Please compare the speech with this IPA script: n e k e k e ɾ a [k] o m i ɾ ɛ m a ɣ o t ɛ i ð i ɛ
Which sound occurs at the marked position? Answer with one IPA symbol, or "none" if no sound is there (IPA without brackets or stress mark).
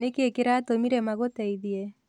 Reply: t